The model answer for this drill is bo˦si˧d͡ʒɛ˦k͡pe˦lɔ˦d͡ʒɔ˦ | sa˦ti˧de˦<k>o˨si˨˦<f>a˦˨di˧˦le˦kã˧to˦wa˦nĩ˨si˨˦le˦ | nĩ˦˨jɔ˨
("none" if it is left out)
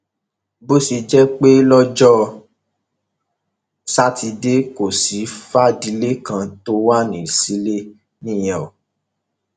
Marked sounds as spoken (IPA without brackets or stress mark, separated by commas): k, f